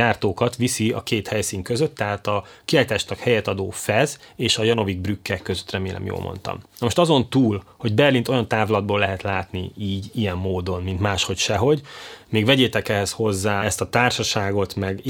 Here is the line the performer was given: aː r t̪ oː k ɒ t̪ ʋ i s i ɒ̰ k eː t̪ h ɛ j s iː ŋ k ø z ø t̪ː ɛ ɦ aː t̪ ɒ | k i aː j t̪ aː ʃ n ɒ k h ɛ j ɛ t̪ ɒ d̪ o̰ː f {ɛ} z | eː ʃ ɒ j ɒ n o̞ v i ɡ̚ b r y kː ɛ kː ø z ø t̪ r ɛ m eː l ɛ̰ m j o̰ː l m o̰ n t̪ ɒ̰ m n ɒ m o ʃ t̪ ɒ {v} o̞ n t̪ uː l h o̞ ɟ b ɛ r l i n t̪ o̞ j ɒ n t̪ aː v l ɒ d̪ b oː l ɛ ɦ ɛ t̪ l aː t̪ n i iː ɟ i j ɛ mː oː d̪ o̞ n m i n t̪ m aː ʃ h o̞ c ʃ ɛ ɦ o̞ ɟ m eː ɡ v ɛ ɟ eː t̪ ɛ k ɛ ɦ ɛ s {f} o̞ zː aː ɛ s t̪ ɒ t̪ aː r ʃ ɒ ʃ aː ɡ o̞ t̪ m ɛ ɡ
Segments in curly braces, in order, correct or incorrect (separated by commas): correct, incorrect, incorrect